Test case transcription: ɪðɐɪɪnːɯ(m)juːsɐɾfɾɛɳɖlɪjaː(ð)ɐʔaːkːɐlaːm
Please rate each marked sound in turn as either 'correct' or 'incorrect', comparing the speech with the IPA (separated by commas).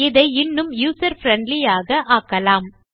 correct, incorrect